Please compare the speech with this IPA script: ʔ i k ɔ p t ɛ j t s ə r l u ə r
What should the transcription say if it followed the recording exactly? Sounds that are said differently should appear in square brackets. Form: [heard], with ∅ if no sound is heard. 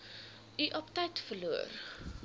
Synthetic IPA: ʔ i [ʔ] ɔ p t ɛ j t [f] ə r l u ə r